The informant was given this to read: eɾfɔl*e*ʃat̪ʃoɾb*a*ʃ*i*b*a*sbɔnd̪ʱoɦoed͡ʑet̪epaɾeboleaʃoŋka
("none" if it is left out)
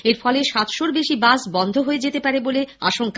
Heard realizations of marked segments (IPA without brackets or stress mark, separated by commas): e, e, i, a